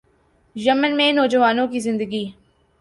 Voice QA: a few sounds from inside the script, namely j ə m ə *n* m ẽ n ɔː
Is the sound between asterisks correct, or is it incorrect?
correct